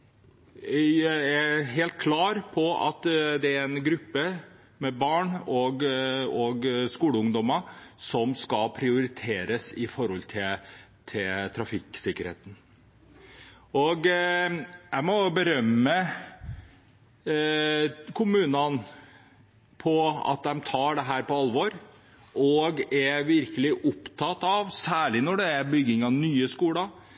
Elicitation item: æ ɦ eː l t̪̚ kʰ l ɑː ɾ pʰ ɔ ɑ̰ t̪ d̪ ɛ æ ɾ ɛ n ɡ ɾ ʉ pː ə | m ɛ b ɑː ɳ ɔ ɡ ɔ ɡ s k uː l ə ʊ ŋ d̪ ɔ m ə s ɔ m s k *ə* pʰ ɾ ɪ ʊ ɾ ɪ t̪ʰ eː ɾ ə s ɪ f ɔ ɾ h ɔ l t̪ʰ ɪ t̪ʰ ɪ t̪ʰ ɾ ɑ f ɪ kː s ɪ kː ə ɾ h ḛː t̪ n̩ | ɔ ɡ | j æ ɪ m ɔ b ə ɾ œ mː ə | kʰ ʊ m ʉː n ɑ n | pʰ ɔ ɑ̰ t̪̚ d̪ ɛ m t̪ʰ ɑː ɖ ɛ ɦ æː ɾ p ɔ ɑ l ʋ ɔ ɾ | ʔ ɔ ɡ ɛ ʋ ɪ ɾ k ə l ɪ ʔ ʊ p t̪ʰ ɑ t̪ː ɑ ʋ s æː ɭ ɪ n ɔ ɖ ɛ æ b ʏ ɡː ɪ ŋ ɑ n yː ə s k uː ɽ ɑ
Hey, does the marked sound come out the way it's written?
no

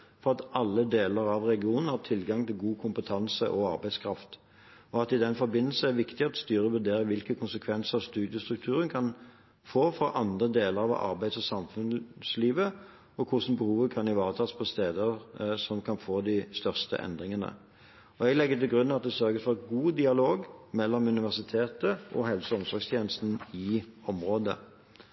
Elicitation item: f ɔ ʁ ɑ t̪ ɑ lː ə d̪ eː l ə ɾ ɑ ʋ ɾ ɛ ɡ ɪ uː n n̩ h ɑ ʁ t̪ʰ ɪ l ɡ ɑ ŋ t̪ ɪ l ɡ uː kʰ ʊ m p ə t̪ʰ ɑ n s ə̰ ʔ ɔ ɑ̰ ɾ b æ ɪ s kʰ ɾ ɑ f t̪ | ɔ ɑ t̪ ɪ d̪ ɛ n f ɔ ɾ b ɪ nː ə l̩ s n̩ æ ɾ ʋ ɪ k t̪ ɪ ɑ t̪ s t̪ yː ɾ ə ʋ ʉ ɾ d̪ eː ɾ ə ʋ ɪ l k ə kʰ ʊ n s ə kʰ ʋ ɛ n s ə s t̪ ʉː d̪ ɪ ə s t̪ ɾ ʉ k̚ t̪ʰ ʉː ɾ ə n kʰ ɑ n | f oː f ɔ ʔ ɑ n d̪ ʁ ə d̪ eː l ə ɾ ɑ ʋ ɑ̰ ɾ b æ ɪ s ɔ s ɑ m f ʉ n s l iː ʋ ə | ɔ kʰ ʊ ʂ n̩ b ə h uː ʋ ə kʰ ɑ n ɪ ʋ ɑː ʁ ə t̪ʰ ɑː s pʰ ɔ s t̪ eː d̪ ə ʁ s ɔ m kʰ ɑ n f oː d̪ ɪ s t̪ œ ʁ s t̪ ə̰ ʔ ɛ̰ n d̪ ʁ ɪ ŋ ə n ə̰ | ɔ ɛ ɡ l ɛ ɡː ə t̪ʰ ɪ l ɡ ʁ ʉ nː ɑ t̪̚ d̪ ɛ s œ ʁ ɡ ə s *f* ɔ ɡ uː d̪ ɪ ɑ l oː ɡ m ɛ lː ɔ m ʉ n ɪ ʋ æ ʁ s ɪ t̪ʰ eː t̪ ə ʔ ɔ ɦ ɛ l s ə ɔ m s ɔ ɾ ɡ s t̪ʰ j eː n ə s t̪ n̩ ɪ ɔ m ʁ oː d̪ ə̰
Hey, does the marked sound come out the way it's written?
yes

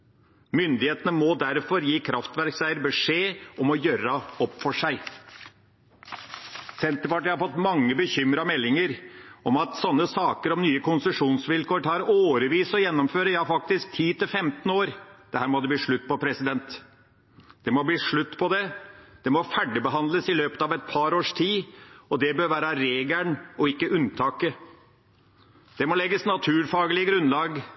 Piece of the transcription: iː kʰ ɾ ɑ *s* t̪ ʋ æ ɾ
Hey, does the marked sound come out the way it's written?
no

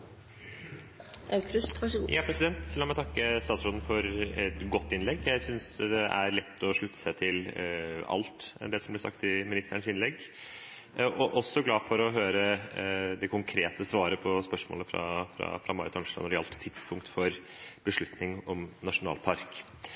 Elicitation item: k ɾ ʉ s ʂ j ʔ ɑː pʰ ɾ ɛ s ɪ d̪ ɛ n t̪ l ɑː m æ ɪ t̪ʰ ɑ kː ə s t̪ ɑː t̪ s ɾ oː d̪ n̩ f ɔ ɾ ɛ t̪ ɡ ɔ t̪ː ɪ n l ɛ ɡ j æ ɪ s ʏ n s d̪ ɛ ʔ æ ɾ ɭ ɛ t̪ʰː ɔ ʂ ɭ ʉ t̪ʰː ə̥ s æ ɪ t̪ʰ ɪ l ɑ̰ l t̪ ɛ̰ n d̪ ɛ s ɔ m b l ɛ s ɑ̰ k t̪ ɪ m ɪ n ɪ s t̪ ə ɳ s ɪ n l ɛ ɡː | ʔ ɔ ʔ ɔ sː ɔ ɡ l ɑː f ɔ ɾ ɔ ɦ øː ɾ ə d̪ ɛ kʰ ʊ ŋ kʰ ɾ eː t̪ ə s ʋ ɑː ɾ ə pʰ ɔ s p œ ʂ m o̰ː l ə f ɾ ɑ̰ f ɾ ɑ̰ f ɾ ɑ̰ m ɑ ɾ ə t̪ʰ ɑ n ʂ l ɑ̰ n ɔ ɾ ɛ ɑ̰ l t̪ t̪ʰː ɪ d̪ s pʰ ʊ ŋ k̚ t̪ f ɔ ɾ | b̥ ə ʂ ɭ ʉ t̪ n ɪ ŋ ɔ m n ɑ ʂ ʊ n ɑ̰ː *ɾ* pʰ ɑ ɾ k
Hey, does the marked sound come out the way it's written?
no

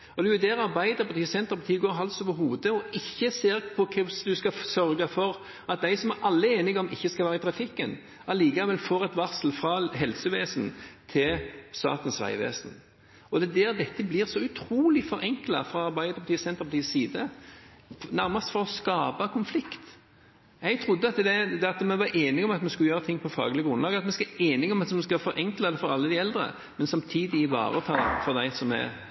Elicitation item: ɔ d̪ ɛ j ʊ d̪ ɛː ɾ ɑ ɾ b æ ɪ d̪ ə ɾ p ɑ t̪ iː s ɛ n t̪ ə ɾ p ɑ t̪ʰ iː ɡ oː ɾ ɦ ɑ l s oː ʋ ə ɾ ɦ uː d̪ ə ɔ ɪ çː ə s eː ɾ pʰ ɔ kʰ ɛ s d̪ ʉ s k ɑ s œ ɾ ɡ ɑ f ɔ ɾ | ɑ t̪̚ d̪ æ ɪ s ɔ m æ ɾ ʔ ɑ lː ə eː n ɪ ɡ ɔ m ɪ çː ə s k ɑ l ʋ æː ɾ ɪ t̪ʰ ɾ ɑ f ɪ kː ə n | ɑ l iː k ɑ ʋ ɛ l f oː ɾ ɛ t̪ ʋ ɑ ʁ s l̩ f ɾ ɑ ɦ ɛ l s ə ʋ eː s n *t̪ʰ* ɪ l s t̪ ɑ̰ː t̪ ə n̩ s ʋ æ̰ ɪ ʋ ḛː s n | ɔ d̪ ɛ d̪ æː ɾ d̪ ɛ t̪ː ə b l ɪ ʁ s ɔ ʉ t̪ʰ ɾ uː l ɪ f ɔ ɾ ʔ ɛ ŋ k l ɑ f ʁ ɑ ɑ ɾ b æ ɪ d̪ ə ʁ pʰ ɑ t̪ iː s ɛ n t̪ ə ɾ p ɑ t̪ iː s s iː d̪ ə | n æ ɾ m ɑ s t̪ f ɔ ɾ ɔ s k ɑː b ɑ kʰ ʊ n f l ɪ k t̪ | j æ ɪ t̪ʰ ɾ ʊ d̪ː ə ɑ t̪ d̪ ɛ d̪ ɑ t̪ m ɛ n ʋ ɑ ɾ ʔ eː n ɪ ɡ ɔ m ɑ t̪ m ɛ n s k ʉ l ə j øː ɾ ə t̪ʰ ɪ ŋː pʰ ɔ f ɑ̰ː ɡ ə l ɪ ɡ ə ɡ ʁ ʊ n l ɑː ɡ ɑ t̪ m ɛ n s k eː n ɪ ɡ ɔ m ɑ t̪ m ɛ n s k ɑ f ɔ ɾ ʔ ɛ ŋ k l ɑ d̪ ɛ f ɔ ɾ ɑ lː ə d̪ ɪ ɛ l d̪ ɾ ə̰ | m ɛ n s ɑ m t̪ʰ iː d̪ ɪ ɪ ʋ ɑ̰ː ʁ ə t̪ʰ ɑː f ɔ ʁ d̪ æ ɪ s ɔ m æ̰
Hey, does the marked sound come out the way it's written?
yes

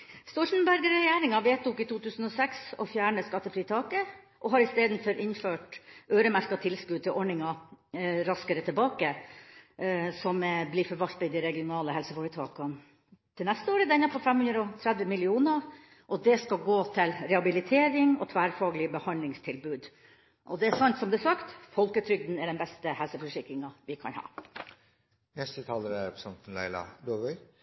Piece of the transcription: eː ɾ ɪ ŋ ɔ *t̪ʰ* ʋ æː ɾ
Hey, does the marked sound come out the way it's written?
yes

